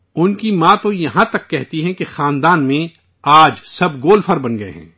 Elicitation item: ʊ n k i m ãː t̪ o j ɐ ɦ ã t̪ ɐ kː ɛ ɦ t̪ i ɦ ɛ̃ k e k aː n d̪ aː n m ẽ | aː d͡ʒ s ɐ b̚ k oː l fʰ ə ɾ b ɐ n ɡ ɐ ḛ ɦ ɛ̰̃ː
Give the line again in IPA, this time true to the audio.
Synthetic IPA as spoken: ʊ n k i m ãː t̪ o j ɐ ɦ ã t̪ ɐ kː ɛ ɦ t̪ i ɦ ɛ̃ k e x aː n d̪ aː n m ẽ | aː d͡ʒ s ɐ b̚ ɡ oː l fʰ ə ɾ b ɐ n ɡ ɐ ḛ ɦ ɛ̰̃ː